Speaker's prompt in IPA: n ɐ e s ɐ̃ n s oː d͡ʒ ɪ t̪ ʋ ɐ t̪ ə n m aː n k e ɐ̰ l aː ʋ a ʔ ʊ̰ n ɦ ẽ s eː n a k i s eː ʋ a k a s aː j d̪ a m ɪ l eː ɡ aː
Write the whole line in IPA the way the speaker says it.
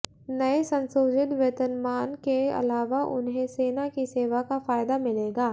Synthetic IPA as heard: n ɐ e s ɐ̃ n s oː d͡ʒ ɪ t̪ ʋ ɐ t̪ ə n m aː n k e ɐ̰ l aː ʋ a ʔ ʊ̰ n ɦ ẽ s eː n a k i s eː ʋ a k a f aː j d̪ a m ɪ l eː ɡ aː